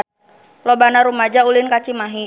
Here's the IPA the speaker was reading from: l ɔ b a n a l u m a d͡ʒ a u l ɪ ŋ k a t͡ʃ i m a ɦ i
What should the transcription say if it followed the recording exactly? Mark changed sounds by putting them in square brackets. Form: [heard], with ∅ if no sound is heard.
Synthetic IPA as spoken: l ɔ b a n a [ɾ] u m a d͡ʒ a u l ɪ [n] k a t͡ʃ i m a ɦ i